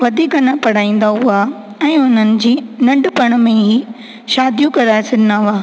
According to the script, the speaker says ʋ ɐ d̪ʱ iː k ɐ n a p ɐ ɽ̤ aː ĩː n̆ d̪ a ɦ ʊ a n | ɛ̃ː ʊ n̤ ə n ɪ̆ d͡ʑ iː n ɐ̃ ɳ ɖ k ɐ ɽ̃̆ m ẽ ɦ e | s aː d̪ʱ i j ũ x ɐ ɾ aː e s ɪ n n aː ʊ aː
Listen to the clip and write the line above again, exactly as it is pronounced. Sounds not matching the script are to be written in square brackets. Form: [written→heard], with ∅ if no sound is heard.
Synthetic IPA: ʋ ɐ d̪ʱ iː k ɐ n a p ɐ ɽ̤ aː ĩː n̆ d̪ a ɦ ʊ a [n→∅] | ɛ̃ː ʊ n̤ ə n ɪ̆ d͡ʑ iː n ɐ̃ ɳ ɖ [k→p] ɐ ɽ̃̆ m ẽ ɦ [e→i] | [s→ʃ] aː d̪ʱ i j ũ [x→k] ɐ ɾ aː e s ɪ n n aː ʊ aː